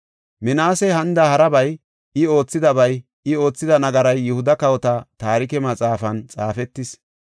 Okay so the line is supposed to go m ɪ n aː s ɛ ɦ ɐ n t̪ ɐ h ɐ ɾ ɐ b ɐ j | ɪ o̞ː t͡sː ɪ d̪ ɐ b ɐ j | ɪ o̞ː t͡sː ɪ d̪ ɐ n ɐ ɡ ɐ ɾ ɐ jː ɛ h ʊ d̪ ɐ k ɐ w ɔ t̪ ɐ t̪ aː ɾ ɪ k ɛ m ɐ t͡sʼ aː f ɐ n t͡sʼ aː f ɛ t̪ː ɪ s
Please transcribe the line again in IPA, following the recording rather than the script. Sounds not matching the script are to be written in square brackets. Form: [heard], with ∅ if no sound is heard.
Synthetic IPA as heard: m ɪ n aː s ɛ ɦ ɐ n [d̪] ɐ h ɐ ɾ ɐ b ɐ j | ɪ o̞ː t͡sː ɪ d̪ ɐ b ɐ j | ɪ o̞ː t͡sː ɪ d̪ ɐ n ɐ ɡ ɐ ɾ ɐ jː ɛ h ʊ d̪ ɐ k ɐ w ɔ t̪ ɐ t̪ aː ɾ ɪ k ɛ m ɐ t͡sʼ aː f ɐ n t͡sʼ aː f ɛ t̪ː ɪ s